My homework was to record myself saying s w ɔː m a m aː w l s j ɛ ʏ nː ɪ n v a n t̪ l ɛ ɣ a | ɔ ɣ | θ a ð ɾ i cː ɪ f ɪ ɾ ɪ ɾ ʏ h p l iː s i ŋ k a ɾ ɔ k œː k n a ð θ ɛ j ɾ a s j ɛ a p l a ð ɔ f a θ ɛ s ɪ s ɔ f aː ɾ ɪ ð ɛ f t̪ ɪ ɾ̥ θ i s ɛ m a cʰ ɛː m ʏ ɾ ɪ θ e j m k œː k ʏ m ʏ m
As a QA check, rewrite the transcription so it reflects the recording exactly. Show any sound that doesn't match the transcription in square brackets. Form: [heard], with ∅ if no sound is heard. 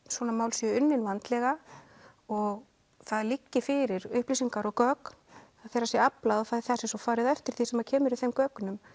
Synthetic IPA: s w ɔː [n] a m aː w l s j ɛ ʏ nː ɪ n v a n t̪ l ɛ ɣ a | ɔ ɣ | θ a ð [l] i cː ɪ f ɪ ɾ ɪ ɾ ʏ h p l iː s i ŋ k a ɾ ɔ k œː k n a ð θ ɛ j ɾ a s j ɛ a p l a ð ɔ f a θ ɛ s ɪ s ɔ f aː ɾ ɪ ð ɛ f t̪ ɪ ɾ̥ θ i s ɛ m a cʰ ɛː m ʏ ɾ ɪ θ e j m k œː k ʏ [n] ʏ m